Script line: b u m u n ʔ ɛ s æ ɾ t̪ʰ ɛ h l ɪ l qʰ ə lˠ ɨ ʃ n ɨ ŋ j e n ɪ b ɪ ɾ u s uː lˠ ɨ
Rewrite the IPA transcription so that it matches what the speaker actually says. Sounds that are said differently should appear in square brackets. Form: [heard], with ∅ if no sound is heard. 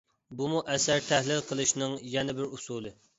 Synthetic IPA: b u m u [∅] ʔ ɛ s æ ɾ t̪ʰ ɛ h l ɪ l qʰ ə lˠ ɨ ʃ n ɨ ŋ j [ɛ] n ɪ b ɪ ɾ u s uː lˠ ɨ